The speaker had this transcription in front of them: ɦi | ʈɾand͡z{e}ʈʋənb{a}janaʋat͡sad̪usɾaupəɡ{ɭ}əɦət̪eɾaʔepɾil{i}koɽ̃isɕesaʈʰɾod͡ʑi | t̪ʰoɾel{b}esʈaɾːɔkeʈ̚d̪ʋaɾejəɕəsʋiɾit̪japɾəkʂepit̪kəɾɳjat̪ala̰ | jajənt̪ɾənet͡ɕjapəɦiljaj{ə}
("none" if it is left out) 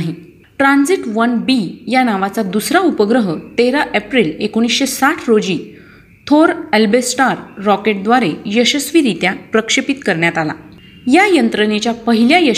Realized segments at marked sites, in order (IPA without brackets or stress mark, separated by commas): i, i, ɾ, e, b, ə